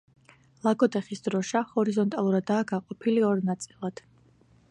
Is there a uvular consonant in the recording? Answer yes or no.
yes